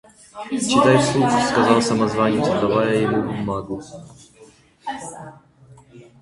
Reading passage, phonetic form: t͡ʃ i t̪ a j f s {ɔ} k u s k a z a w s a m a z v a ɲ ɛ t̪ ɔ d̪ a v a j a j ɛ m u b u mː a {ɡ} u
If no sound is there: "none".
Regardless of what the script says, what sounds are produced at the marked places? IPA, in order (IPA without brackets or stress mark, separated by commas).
u, ɡ